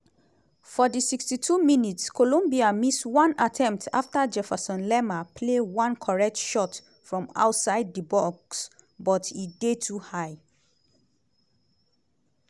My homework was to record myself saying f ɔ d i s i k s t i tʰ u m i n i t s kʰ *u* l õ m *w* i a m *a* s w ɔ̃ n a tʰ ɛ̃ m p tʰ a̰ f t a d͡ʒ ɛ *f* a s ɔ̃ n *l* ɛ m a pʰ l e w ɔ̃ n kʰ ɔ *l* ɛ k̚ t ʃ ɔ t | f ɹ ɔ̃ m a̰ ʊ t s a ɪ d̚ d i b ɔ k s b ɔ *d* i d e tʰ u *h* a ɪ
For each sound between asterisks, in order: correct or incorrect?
incorrect, incorrect, incorrect, correct, correct, incorrect, incorrect, correct

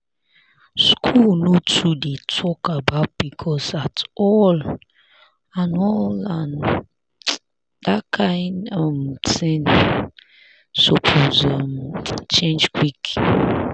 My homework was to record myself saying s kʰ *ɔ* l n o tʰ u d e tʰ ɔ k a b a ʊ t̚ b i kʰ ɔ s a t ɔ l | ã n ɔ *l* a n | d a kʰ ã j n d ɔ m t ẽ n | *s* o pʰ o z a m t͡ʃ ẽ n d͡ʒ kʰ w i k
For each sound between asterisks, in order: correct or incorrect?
incorrect, correct, correct

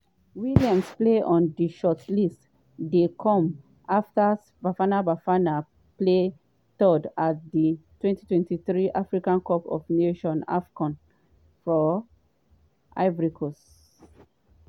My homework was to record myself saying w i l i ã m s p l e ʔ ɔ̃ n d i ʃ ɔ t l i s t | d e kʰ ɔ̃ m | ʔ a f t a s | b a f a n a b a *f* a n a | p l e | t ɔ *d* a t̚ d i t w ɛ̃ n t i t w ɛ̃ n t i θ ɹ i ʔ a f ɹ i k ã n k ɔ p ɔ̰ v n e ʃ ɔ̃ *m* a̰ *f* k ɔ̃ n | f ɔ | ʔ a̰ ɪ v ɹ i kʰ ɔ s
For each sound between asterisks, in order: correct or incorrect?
correct, correct, incorrect, correct

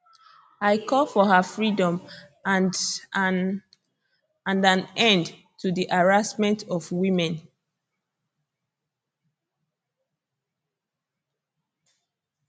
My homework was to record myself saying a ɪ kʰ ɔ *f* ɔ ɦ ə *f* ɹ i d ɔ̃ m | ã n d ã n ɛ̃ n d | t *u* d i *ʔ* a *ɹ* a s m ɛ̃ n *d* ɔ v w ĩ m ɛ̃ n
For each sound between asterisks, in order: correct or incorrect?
correct, correct, correct, correct, correct, incorrect

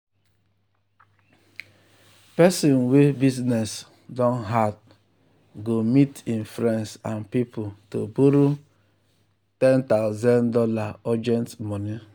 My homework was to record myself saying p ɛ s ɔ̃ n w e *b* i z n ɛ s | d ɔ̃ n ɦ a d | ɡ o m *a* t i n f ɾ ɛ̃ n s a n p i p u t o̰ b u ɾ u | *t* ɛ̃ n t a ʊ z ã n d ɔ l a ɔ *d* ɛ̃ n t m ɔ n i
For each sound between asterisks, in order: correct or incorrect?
correct, incorrect, correct, incorrect

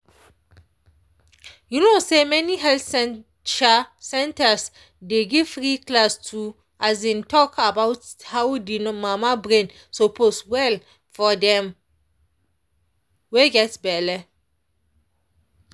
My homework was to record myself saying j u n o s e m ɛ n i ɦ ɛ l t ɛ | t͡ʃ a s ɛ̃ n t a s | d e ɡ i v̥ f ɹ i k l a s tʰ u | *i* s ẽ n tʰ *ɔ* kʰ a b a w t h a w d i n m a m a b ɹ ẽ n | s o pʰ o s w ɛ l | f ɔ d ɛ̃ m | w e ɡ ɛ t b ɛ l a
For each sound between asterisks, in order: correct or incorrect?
incorrect, correct

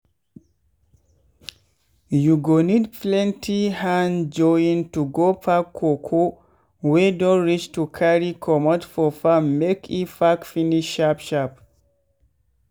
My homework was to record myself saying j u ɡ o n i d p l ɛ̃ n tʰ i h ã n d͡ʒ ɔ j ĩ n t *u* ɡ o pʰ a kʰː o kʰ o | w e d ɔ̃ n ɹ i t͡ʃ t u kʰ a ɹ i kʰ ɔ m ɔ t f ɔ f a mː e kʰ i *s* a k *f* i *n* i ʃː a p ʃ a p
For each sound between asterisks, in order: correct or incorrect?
correct, incorrect, correct, correct

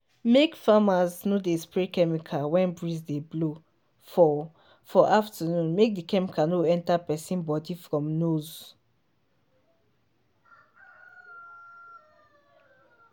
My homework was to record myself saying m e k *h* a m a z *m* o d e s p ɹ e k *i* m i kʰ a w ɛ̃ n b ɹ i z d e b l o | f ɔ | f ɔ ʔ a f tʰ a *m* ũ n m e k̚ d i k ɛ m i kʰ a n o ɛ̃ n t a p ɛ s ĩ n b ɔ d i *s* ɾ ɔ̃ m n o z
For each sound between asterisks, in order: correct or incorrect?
incorrect, incorrect, incorrect, incorrect, incorrect

